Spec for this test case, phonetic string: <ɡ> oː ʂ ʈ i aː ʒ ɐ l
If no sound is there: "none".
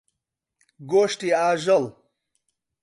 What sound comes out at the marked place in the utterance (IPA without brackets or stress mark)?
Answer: ɡ